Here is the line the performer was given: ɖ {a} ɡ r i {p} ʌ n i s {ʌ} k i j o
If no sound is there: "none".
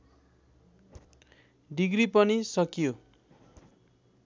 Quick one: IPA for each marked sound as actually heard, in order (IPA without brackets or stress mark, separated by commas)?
i, p, ʌ